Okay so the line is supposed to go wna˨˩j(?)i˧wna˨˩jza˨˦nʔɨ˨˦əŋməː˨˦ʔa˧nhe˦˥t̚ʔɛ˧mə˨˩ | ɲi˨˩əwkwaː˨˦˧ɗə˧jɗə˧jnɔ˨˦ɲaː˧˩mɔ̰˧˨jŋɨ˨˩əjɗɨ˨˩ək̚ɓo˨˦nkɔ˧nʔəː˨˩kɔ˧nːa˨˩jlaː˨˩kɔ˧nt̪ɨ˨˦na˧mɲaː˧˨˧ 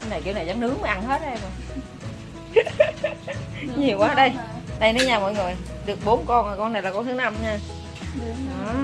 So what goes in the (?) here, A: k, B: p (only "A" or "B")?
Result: A